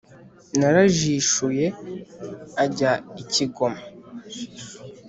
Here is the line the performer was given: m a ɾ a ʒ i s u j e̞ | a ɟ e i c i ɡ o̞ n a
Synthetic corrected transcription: n a ɾ a ʒ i ʃ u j e̞ | a ɟ a i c i ɡ o̞ m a